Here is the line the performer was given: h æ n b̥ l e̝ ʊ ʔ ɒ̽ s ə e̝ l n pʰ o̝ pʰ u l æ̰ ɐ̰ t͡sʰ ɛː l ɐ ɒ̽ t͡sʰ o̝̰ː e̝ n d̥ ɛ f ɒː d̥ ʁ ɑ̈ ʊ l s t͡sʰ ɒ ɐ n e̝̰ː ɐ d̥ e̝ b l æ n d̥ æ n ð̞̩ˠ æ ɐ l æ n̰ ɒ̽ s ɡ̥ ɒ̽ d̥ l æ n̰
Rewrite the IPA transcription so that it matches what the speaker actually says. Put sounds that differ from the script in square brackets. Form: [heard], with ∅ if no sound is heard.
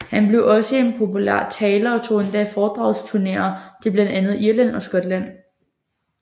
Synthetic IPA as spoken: h æ n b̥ l e̝ ʊ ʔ ɒ̽ s ə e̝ [∅] n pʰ o̝ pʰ u l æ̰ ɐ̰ t͡sʰ ɛː l ɐ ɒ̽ t͡sʰ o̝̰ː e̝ n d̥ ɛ f ɒː d̥ ʁ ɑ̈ ʊ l s t͡sʰ [u] ɐ n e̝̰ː ɐ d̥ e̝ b l æ n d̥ æ n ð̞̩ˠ [i] ɐ l æ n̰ ɒ̽ s ɡ̥ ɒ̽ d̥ l æ n̰

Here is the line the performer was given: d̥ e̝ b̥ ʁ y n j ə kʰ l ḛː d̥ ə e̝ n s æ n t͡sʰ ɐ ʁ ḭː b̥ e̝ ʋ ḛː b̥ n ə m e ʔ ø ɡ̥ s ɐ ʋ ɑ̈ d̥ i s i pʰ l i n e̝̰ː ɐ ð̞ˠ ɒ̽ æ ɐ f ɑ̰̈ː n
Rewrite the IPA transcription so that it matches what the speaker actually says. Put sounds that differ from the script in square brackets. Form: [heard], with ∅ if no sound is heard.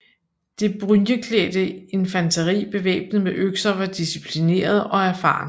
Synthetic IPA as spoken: d̥ e̝ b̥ ʁ y n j ə kʰ l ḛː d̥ ə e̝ n [f] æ n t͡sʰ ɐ ʁ ḭː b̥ e̝ ʋ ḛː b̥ n ə m e ʔ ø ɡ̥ s ɐ ʋ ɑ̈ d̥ i s i pʰ l i n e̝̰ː ɐ ð̞ˠ ɒ̽ æ ɐ f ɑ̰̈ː n

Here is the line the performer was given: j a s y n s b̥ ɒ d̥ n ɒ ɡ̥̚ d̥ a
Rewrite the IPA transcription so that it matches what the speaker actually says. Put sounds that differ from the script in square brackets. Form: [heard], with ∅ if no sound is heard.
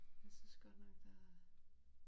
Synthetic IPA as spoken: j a s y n s [ɡ̥] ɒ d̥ n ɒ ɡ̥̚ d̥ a

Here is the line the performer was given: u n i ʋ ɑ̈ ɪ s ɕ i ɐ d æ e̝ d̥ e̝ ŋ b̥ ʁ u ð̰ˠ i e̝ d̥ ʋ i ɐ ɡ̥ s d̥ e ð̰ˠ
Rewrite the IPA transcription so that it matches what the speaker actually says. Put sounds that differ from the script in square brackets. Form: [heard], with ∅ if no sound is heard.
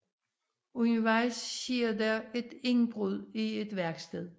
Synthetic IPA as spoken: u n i ʋ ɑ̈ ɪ s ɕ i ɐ d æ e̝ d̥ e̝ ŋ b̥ ʁ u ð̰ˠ i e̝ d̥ ʋ [æ] ɐ ɡ̥ s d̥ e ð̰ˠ

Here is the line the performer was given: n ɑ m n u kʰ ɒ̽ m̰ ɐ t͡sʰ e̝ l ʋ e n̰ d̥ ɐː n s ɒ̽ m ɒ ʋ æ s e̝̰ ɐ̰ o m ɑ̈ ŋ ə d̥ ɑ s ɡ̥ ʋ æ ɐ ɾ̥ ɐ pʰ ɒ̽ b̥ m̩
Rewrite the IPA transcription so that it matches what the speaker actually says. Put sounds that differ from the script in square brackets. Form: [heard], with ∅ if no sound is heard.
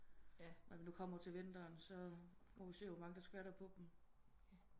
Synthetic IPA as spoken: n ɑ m n u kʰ ɒ̽ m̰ ɐ t͡sʰ e̝ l ʋ e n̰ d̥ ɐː n s ɒ̽ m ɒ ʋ [i] s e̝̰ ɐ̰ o m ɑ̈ ŋ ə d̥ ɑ s ɡ̥ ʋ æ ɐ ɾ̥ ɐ pʰ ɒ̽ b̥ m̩

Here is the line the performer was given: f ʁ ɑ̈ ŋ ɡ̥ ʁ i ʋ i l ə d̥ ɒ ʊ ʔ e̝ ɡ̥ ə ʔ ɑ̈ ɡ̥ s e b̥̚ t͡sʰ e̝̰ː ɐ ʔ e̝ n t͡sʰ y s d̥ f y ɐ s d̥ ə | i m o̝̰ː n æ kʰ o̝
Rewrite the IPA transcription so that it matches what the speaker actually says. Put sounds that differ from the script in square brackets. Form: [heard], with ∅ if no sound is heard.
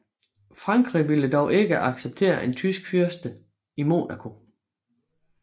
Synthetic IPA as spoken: f ʁ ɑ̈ ŋ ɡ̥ ʁ i ʋ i l ə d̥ ɒ ʊ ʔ e̝ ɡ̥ ə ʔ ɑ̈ ɡ̥ s e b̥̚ t͡sʰ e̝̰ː ɐ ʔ e̝ n t͡sʰ y s [ɡ̥] f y ɐ s d̥ ə | i m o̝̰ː n æ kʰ o̝

